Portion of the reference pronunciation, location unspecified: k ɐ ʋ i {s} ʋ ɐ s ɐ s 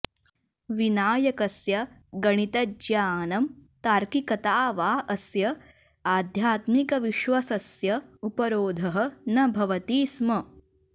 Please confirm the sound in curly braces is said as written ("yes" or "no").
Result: no